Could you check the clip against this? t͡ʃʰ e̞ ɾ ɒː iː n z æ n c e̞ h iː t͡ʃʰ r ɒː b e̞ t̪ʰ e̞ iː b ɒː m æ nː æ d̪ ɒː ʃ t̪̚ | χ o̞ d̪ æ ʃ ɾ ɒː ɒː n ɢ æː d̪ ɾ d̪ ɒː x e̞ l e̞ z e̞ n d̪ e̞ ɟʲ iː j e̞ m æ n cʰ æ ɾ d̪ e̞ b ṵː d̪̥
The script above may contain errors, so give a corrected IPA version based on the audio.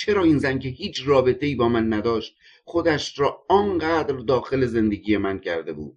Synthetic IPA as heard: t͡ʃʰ e̞ ɾ ɒː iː n z æ n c e̞ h iː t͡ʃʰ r ɒː b e̞ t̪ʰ e̞ iː b ɒː m æ nː æ d̪ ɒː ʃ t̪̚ | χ o̞ d̪ æ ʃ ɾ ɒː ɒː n ɢ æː d̪ ɾ d̪ ɒː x e̞ l e̞ z e̞ n d̪ e̞ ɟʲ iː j e̞ m æ n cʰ æ ɾ d̪ e̞ b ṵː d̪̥